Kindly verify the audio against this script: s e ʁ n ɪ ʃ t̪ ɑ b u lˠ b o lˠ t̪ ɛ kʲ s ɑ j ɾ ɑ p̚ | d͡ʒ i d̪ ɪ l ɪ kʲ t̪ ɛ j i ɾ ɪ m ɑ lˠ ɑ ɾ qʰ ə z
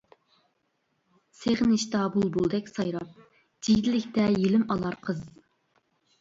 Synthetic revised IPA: s e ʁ n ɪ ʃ t̪ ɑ b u lˠ b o lˠ d̪ ɛ kʲ s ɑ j ɾ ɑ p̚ | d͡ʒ i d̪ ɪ l ɪ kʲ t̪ ɛ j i l ɪ m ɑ lˠ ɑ ɾ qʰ ə z